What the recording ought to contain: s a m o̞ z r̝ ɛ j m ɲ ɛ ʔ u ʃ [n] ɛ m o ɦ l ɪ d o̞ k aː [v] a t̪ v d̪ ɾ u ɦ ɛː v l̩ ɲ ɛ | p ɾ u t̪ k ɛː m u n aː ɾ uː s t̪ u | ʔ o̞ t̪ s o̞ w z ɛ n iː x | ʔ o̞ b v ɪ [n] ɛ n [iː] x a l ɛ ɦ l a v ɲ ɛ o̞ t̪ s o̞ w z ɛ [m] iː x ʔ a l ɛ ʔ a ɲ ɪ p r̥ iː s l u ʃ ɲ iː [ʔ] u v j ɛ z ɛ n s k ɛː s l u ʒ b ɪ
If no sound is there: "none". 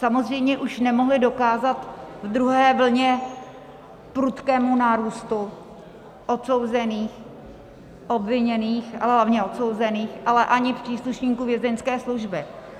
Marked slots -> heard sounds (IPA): n, z, ɲ, iː, n, k

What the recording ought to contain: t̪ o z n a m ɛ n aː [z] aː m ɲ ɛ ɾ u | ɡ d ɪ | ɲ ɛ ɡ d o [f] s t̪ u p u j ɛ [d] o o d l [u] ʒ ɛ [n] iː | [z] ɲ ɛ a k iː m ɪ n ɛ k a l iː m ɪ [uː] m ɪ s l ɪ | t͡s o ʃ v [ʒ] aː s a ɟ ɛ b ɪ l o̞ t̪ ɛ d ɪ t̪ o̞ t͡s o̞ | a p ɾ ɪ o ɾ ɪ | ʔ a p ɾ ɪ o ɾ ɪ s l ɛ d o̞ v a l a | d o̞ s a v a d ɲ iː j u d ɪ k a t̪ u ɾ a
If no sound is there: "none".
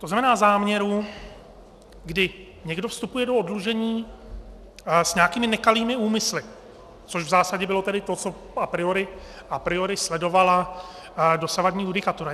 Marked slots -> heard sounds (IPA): z, f, d, u, ɲ, s, uː, z

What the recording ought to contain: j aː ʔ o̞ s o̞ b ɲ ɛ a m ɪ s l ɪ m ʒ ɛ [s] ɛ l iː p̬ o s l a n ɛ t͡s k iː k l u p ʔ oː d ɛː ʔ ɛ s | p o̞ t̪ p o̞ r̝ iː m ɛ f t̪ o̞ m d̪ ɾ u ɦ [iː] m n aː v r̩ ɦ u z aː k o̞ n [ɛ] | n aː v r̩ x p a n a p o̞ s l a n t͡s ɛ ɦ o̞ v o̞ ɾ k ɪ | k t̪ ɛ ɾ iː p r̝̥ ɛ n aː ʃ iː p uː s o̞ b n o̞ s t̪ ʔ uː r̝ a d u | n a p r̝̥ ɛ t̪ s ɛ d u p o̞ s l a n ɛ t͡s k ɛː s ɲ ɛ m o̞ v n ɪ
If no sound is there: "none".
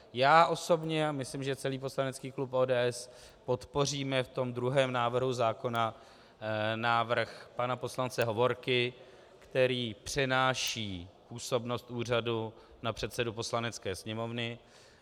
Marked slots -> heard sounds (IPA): t͡s, ɛː, a

